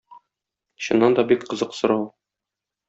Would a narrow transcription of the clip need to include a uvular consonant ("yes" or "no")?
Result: yes